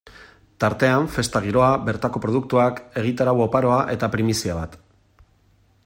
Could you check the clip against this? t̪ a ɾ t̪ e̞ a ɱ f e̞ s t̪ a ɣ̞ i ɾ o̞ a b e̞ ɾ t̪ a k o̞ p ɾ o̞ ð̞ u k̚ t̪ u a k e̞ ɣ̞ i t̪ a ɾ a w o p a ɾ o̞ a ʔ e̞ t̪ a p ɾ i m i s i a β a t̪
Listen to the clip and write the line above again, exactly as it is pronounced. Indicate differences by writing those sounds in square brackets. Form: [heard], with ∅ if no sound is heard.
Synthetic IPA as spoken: t̪ a ɾ t̪ e̞ a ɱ f e̞ s t̪ a ɣ̞ i ɾ o̞ a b e̞ ɾ t̪ a k o̞ p ɾ o̞ ð̞ u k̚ t̪ u a k e̞ ɣ̞ i t̪ a ɾ a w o p a ɾ o̞ a ʔ e̞ t̪ a p ɾ i m i s i a β a t̪